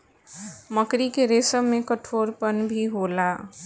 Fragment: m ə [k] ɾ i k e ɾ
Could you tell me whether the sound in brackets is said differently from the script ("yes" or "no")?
no